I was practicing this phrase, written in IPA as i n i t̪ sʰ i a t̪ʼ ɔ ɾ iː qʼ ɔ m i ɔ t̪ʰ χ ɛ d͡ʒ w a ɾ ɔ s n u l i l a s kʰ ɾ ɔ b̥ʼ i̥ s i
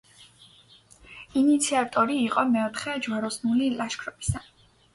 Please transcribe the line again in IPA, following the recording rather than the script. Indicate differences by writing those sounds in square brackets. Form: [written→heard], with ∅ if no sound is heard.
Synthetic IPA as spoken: i n i t̪ sʰ i a t̪ʼ ɔ ɾ iː qʼ ɔ m [i→ɛ] ɔ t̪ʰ χ ɛ d͡ʒ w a ɾ ɔ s n u l i l a [s→ʃ] kʰ ɾ ɔ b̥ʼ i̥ s [i→a]